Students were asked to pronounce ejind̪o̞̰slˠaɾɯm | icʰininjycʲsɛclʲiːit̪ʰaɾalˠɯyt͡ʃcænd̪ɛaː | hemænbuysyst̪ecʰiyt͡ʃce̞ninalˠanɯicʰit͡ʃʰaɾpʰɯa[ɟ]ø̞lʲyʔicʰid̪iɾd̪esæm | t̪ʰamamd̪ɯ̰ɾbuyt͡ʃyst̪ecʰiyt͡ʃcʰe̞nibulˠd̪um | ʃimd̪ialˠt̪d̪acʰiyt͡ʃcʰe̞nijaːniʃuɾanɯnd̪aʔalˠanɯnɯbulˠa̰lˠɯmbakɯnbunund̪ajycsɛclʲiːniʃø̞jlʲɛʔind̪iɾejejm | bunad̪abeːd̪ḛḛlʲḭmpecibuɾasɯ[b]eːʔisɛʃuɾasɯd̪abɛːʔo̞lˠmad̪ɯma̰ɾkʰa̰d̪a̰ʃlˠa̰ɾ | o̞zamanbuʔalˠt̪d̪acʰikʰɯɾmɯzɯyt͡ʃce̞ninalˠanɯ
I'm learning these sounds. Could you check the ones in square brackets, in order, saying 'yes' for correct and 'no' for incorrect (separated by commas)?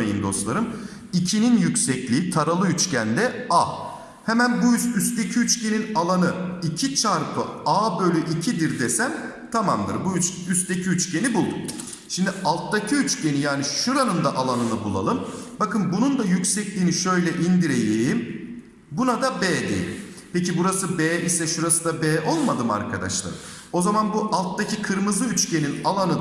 no, yes